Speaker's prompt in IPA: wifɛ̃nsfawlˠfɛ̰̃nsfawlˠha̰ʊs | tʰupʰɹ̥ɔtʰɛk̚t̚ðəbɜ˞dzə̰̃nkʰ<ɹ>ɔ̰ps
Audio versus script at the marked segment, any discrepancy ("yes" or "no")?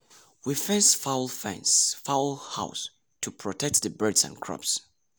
no